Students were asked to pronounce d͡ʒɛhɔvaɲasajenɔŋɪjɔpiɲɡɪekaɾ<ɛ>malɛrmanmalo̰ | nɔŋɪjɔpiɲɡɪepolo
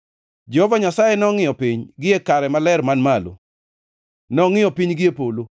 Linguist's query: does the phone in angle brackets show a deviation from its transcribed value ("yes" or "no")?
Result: no